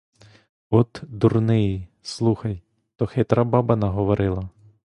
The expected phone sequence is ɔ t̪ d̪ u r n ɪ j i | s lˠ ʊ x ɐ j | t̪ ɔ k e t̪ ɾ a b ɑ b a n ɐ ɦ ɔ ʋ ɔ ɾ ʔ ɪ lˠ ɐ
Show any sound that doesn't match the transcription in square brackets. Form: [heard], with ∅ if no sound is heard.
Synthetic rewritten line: ɔ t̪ d̪ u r n ɪ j i | s lˠ [u] x ɐ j | t̪ ɔ [x] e t̪ ɾ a b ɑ b [ɐ] n ɐ ɦ ɔ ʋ ɔ ɾ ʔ ɪ lˠ ɐ